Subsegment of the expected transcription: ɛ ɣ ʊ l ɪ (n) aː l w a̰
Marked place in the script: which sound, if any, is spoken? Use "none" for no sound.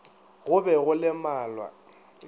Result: m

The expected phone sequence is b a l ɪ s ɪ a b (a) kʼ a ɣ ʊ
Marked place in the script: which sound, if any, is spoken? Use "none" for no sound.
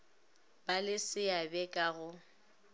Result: ɛ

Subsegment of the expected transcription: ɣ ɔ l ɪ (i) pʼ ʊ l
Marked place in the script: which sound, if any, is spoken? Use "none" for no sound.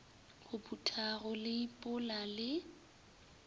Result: i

